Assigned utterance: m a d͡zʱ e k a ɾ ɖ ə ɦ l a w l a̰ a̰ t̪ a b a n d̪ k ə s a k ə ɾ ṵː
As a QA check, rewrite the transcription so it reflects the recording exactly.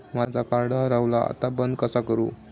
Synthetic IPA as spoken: m a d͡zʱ a k a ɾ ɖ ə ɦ ɾ a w l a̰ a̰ t̪ a b ə n d̪ k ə s a k ə ɾ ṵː